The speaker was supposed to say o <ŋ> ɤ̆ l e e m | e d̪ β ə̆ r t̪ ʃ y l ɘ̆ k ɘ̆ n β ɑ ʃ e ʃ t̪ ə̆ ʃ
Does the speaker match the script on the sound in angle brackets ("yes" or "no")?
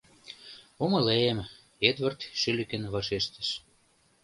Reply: no